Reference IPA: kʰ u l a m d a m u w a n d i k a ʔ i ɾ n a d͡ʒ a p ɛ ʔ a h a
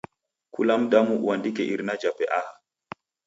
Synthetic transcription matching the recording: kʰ u l a m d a m u w a n d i k ɛ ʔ i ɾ n a d͡ʒ a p ɛ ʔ a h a